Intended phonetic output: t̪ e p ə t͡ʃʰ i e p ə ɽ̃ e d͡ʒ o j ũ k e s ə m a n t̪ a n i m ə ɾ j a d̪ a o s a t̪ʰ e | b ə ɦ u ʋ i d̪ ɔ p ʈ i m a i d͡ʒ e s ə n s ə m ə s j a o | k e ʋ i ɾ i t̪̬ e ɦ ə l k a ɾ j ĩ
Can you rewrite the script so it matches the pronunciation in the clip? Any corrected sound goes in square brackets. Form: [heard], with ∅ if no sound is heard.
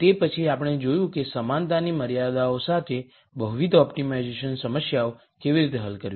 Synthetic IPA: t̪ e p ə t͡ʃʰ i [a] p ə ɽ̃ e d͡ʒ o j ũ k e s ə m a n t̪ a n i m ə ɾ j a d̪ a o s a t̪ʰ e | b ə ɦ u ʋ i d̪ ɔ p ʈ i m a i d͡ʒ e [ʃ] ə n s ə m ə s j a o | k e ʋ i ɾ i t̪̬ e ɦ ə l k [ə] ɾ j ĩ